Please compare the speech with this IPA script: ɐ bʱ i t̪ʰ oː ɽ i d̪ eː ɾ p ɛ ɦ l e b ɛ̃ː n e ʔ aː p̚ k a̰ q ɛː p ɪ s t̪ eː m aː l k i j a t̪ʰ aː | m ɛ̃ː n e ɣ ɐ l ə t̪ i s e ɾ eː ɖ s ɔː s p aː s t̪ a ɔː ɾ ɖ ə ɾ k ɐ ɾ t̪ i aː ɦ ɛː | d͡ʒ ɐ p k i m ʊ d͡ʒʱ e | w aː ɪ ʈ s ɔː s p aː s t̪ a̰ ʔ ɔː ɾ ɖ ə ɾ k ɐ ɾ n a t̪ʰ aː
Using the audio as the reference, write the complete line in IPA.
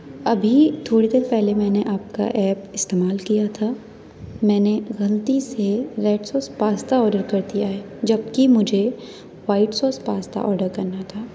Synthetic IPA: ɐ bʱ i t̪ʰ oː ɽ i d̪ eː ɾ p ɛ ɦ l e m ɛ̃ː n e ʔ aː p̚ k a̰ ʔ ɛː p ɪ s t̪ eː m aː l k i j a t̪ʰ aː | m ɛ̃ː n e ɣ ɐ l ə t̪ i s e ɾ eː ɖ s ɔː s p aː s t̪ a ɔː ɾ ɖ ə ɾ k ɐ ɾ t̪ i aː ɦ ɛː | d͡ʒ ɐ b k i m ʊ d͡ʒʱ e | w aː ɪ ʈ s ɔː s p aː s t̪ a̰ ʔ ɔː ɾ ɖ ə ɾ k ɐ ɾ n a t̪ʰ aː